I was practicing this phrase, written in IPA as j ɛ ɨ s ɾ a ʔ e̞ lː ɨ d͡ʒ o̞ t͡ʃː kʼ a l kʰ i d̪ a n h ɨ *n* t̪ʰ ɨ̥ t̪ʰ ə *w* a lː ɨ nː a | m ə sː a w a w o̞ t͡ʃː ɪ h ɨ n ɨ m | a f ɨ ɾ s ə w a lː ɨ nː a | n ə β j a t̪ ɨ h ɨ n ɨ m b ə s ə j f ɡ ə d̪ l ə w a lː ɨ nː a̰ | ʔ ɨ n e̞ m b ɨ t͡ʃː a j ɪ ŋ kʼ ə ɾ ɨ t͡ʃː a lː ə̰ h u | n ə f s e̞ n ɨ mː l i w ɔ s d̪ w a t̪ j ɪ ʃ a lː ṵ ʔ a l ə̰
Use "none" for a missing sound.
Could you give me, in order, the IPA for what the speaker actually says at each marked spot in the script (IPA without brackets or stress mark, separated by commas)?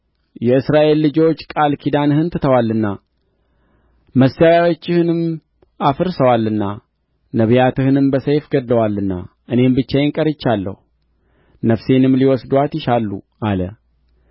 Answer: n, w